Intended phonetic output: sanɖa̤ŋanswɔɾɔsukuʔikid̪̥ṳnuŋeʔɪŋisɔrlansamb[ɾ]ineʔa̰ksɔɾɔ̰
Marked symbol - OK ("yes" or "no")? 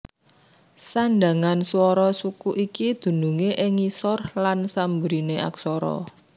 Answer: yes